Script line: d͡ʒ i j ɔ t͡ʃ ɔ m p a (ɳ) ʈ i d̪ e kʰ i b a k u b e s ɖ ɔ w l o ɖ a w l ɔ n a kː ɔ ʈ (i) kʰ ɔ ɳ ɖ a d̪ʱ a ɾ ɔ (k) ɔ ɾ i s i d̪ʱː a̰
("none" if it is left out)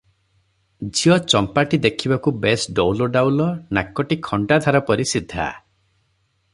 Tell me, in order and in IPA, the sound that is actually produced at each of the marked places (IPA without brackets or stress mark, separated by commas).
none, i, p